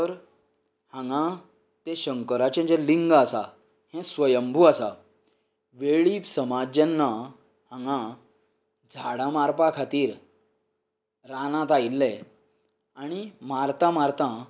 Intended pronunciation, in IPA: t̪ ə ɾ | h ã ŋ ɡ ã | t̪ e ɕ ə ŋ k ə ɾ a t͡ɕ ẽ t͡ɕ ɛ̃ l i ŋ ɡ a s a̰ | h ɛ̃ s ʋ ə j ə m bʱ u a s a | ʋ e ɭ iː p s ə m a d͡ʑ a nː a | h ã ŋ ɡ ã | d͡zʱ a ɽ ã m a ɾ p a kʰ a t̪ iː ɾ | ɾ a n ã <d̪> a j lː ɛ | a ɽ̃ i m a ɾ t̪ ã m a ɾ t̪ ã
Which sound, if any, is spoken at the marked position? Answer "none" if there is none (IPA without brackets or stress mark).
t̪